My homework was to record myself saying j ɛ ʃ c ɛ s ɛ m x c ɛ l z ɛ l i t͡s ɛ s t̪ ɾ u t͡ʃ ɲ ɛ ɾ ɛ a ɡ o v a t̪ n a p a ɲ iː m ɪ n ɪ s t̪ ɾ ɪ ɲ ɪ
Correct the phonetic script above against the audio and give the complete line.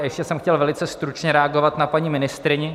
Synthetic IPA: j ɛ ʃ c ɛ s ɛ m x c ɛ l v ɛ l ɪ t͡s ɛ s t̪ ɾ u t͡ʃ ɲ ɛ ɾ ɛ a ɡ o v a t̪ n a p a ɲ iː m ɪ n ɪ s t̪ ɾ ɪ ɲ ɪ